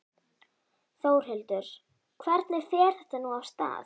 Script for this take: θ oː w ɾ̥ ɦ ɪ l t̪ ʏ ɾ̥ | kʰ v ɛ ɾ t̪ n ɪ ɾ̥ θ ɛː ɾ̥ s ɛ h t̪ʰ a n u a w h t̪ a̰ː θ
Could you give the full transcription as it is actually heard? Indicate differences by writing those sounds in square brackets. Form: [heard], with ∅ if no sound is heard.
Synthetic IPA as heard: θ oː w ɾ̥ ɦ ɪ l t̪ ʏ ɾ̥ | kʰ v ɛ ɾ t̪ n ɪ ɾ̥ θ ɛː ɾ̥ [θ] ɛ h [t̪] a n u a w [s] t̪ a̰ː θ